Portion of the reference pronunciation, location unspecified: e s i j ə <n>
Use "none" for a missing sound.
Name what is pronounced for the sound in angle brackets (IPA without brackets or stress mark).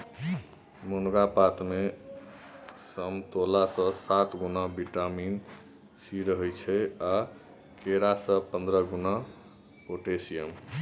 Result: m